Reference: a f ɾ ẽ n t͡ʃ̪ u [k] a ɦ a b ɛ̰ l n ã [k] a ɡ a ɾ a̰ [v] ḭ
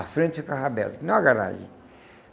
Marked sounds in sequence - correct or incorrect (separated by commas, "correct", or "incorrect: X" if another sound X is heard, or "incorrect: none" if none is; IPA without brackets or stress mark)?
correct, incorrect: none, incorrect: ʒ